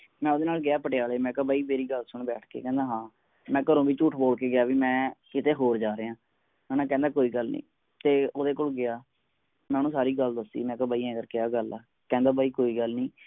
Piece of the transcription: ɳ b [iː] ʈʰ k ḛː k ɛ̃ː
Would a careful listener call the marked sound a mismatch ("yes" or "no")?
yes